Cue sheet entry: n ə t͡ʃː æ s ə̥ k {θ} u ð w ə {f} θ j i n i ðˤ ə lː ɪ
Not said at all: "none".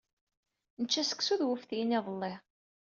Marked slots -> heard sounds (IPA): s, f

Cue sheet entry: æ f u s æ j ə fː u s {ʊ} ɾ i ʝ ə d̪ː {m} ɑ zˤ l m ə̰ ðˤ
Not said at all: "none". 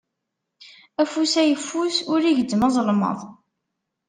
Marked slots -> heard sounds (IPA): ʊ, m

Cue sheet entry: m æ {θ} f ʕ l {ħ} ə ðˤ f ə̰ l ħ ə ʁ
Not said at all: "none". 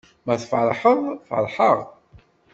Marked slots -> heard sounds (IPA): θ, ħ

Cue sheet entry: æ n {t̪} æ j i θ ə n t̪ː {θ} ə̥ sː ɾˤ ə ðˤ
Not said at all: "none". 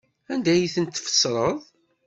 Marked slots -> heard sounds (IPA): d̪, f

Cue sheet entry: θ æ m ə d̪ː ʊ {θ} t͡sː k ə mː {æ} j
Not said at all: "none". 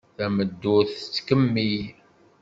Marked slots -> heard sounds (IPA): θ, i

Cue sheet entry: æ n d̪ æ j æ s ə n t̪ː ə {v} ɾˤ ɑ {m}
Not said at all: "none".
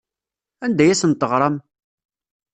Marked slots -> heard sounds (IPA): ʁ, m

